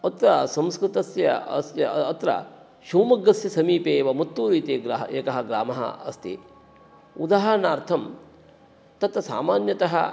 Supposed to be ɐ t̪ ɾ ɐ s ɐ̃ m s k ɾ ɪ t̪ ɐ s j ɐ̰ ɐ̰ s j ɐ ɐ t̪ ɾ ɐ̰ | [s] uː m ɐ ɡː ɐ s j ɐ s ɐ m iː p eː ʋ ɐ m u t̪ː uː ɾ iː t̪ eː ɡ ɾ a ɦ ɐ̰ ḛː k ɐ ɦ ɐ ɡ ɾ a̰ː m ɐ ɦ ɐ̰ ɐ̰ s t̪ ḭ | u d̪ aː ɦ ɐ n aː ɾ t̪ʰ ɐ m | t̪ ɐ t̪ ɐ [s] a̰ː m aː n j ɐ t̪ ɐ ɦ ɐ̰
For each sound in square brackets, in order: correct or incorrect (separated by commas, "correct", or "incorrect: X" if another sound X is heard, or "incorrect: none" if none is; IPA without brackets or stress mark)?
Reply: incorrect: ʃ, correct